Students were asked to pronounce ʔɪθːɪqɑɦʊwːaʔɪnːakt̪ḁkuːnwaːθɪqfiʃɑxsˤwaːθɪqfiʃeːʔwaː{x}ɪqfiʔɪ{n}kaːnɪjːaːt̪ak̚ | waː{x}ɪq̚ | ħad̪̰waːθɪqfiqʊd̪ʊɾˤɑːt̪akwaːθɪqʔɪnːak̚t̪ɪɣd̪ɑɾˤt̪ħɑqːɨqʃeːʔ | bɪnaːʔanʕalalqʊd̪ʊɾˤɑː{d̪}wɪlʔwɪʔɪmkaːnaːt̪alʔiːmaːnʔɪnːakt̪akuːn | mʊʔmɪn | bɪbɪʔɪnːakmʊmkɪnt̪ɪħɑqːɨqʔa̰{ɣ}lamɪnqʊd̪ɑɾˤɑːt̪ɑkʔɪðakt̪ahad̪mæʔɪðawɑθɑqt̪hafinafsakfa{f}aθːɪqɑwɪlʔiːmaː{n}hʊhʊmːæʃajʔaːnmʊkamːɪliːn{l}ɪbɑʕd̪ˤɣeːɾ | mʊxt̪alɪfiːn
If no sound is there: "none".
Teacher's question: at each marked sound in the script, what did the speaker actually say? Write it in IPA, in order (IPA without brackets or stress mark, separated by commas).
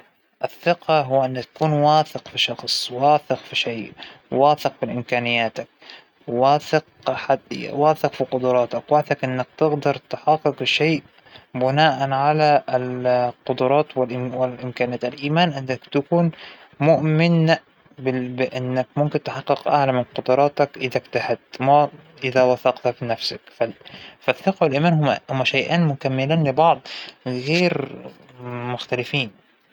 θ, m, θ, t̪, ʕ, f, n, l